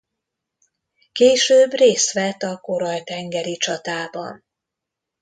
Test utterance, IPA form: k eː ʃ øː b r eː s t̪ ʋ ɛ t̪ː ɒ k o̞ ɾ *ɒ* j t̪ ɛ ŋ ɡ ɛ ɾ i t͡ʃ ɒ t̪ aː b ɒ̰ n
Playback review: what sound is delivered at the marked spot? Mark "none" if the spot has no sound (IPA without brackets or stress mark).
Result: ɒ